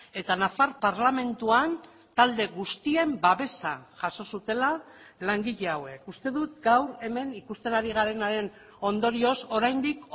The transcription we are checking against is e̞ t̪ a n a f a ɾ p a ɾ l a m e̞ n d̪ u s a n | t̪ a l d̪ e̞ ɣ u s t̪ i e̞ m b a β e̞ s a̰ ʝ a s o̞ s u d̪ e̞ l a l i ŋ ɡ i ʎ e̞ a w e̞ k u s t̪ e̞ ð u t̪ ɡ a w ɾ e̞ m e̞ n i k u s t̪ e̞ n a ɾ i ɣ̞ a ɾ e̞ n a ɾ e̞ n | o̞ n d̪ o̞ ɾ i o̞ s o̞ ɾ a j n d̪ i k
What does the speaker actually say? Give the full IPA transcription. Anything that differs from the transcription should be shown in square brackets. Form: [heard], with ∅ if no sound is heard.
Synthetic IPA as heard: e̞ t̪ a n a f a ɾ p a ɾ l a m e̞ n [t̪] u [∅] a n | t̪ a l d̪ e̞ ɣ u s t̪ i e̞ m b a β e̞ s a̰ ʝ a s o̞ s u [t̪] e̞ l a l [a] ŋ ɡ i ʎ e̞ a w e̞ k u s t̪ e̞ ð u t̪ ɡ a w ɾ e̞ m e̞ n i k u s t̪ e̞ n a ɾ i ɣ̞ a ɾ e̞ n a ɾ e̞ n | o̞ n d̪ o̞ ɾ i o̞ s o̞ ɾ a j n d̪ i k